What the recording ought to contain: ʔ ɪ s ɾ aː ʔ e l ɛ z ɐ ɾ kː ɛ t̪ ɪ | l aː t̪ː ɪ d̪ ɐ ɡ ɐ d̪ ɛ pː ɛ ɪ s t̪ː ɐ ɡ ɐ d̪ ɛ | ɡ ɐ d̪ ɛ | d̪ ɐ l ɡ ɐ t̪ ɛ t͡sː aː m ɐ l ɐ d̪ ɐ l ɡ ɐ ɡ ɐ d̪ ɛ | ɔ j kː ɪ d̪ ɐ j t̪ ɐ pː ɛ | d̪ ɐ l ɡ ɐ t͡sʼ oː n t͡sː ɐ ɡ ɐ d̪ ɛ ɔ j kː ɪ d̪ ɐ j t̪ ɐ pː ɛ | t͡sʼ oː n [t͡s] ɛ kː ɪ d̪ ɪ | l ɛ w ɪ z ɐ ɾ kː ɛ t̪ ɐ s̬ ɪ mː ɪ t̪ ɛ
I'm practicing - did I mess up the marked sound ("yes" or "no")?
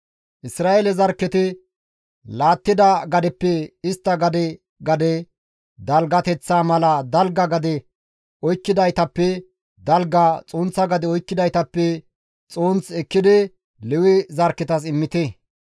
no